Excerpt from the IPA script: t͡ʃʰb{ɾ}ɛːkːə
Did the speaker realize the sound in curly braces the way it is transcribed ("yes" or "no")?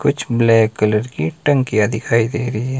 no